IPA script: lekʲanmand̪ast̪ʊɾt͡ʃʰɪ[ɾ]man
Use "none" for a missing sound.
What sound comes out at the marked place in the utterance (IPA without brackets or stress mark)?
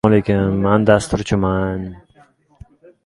none